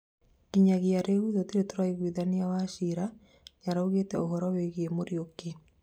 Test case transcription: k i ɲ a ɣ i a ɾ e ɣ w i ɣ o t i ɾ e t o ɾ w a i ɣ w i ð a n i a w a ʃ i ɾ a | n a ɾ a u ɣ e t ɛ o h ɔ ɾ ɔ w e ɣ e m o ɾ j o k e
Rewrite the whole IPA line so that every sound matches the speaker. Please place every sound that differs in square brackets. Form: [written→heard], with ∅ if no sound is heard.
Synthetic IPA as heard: k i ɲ a ɣ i a ɾ e ɣ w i [ɣ→ð] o t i ɾ e t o ɾ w a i ɣ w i ð a n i a w a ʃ i ɾ a | [n→ɲ] a ɾ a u ɣ e t ɛ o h ɔ ɾ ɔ w e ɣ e m o ɾ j o k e